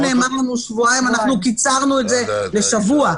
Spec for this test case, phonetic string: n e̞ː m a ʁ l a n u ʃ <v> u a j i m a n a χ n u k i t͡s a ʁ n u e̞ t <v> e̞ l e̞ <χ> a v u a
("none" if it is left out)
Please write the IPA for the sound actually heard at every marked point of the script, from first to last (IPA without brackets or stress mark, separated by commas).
v, z, ʃ